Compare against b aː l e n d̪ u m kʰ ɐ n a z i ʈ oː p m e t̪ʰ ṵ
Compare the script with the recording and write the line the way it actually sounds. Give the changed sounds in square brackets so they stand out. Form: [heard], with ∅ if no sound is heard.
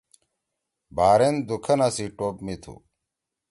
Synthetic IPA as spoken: b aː [ɾ] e n d̪ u [∅] kʰ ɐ n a [s] i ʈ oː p m [i] t̪ʰ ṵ